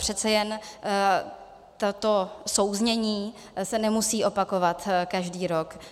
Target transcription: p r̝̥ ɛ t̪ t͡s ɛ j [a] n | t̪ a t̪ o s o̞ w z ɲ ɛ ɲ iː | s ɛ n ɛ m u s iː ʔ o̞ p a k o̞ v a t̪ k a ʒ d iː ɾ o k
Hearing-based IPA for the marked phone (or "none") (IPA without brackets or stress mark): ɛ